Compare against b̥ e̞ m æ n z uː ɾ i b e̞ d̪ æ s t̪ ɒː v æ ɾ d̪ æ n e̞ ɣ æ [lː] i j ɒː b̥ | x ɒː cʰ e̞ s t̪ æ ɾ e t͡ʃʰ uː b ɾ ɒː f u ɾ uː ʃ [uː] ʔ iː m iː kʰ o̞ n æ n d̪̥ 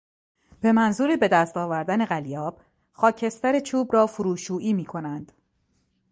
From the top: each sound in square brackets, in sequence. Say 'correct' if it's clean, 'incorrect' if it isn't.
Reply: incorrect, correct

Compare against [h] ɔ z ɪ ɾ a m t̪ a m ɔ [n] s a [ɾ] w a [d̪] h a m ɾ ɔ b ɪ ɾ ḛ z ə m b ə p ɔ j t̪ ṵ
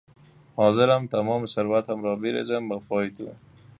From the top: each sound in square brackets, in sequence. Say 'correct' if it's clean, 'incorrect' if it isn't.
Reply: correct, incorrect, correct, incorrect

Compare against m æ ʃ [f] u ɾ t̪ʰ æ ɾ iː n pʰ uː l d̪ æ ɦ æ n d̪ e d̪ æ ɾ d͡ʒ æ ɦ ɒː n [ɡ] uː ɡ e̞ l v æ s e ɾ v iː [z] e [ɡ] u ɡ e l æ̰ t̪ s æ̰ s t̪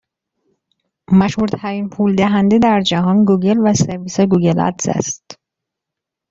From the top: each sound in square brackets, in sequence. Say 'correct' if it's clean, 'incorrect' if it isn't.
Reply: incorrect, correct, incorrect, correct

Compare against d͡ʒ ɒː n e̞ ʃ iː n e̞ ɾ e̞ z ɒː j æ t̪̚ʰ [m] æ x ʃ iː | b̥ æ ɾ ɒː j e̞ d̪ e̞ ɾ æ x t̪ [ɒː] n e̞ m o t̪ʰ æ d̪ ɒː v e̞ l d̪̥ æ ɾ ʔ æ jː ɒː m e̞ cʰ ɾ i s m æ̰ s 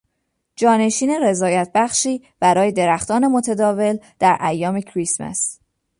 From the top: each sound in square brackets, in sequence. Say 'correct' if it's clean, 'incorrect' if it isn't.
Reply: incorrect, correct

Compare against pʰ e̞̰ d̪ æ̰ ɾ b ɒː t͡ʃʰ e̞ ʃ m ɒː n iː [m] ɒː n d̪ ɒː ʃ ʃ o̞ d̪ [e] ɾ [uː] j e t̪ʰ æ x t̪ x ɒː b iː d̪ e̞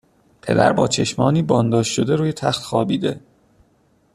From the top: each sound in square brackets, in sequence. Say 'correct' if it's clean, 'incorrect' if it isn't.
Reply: incorrect, correct, correct

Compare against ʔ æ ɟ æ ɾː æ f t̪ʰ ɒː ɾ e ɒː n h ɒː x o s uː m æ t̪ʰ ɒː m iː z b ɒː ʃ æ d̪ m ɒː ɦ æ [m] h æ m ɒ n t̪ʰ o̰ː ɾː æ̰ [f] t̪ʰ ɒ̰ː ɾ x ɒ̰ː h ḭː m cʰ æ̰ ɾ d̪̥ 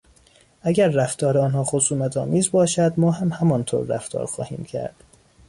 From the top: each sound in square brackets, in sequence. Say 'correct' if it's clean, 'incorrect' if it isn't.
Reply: correct, correct

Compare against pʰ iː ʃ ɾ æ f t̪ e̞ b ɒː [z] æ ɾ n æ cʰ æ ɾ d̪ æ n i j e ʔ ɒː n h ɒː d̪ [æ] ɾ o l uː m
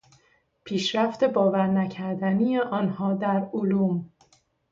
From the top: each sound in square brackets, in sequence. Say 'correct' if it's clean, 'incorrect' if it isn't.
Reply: incorrect, correct

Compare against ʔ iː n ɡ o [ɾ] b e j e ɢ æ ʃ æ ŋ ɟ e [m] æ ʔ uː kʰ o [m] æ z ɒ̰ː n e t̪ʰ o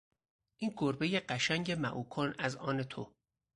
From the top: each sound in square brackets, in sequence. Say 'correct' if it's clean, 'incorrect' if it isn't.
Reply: correct, correct, incorrect

